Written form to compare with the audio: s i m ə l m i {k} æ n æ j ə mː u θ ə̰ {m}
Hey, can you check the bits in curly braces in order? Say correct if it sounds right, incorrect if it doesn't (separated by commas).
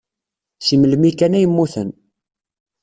correct, incorrect